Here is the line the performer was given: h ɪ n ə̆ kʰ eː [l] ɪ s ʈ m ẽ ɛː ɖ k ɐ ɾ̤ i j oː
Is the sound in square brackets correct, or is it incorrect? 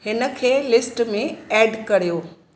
correct